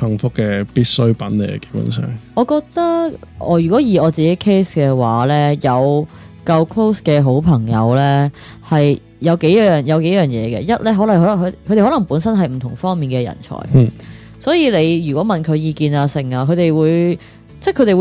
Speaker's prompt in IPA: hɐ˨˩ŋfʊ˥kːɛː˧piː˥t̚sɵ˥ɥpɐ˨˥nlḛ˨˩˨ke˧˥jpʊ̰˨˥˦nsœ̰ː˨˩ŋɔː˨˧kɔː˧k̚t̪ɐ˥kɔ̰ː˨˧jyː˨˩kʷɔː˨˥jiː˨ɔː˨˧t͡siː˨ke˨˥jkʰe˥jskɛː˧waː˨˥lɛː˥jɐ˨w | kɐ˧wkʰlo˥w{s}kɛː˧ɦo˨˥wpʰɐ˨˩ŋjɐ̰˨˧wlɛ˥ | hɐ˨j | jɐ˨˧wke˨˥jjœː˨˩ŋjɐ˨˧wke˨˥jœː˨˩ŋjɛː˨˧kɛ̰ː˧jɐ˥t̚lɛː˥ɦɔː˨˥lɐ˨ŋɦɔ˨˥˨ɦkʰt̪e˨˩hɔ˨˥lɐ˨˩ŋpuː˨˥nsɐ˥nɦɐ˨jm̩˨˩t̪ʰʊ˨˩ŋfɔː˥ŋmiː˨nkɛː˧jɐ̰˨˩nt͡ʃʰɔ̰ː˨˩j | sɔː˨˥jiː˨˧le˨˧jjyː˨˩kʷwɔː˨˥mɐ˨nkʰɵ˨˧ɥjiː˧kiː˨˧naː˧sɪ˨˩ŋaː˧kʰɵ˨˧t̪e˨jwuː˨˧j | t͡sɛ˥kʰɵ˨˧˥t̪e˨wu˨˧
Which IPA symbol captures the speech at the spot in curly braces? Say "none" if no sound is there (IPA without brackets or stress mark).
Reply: s